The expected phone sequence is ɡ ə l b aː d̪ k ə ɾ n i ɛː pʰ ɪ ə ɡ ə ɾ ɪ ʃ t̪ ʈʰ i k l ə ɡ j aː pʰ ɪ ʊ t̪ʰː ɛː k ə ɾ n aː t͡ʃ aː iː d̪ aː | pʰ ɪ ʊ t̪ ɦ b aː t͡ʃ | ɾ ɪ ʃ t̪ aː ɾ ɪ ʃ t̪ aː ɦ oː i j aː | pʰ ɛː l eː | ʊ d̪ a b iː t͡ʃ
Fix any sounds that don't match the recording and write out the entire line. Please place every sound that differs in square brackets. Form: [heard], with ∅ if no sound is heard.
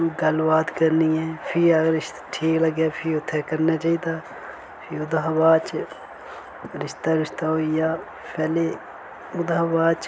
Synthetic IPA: ɡ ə l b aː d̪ k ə ɾ n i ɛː pʰ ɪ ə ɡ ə ɾ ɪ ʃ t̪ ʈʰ [iː] k l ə ɡ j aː pʰ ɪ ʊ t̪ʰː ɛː k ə ɾ n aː t͡ʃ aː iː d̪ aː | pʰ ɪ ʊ [d̪] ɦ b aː t͡ʃ | ɾ ɪ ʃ t̪ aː ɾ ɪ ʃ t̪ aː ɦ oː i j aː | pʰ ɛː l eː | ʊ d̪ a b [aː] t͡ʃ